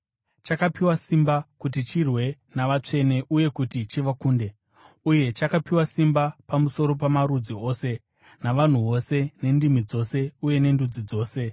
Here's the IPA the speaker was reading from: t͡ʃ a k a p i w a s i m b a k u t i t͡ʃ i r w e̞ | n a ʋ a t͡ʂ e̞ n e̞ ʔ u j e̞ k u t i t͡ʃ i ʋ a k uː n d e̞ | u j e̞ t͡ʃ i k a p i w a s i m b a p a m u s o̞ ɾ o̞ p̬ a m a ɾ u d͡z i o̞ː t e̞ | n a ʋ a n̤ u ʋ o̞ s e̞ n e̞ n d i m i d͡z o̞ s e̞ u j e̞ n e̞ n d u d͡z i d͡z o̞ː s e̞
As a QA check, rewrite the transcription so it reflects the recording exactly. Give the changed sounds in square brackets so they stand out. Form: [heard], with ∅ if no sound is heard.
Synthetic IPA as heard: t͡ʃ a k a p i w a s i m b a k u t i t͡ʃ i r w e̞ | n a ʋ a t͡ʂ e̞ n e̞ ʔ u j e̞ k u t i t͡ʃ i ʋ a k uː n d e̞ | u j e̞ t͡ʃ [a] k a p i w a s i m b a p a m u s o̞ ɾ o̞ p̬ a m a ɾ u d͡z i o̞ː [s] e̞ | n a ʋ a n̤ u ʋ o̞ s e̞ n e̞ n d i m i d͡z o̞ s e̞ u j e̞ n e̞ n d u d͡z i d͡z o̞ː s e̞